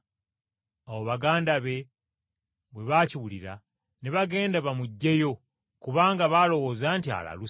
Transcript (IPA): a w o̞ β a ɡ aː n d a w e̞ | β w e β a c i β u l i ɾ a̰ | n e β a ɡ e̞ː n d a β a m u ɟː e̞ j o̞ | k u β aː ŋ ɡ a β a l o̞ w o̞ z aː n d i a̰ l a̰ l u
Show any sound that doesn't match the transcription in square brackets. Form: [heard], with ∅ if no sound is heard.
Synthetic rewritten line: a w o̞ β a ɡ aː n d a [β] e̞ | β w e β a c i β u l i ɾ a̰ | n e β a ɡ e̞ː n d a β a m u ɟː e̞ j o̞ | k u β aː ŋ ɡ a β a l o̞ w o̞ z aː n [t] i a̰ l a̰ l u